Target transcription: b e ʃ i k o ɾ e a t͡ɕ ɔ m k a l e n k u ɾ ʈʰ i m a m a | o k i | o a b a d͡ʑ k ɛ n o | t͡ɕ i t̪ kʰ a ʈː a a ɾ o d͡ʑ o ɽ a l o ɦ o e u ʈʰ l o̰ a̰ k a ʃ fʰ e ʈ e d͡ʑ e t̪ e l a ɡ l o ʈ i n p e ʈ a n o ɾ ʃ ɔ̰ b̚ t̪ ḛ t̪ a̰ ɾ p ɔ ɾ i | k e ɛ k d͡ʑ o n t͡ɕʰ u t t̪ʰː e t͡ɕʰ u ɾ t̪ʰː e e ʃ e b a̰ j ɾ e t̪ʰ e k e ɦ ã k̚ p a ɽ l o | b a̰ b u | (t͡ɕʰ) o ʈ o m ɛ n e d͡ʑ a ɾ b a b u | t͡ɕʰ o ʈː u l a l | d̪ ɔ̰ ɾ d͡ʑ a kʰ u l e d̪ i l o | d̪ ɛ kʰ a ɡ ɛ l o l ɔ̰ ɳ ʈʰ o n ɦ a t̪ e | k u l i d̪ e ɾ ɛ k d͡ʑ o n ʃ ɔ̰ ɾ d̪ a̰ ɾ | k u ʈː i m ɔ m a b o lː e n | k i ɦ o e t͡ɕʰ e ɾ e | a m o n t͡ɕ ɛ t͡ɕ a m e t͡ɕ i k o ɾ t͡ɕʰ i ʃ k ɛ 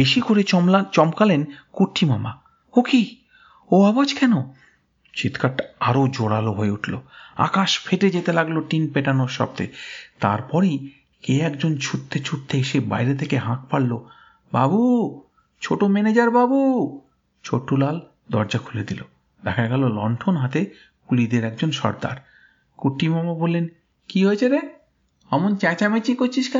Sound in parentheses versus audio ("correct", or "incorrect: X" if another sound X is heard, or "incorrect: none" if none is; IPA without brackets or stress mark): correct